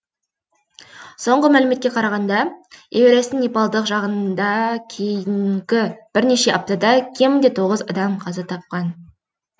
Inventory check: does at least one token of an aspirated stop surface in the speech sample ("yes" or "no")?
yes